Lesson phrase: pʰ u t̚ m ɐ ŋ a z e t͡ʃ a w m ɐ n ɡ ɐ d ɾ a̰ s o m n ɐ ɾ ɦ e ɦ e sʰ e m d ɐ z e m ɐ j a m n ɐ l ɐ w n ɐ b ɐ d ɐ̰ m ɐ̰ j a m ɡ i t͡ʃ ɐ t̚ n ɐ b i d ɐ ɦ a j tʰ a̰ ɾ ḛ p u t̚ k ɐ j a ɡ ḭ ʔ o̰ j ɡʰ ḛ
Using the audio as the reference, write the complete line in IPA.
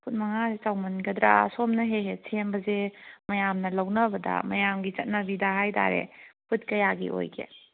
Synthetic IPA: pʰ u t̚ m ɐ ŋ a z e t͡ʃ a w m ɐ n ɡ ɐ d ɾ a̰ s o m n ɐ ɦ e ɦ e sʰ e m b ɐ z e m ɐ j a m n ɐ l ɐ w n ɐ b ɐ d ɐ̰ m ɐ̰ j a m ɡ i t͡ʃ ɐ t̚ n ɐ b i d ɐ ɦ a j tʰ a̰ ɾ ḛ p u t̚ k ɐ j a ɡ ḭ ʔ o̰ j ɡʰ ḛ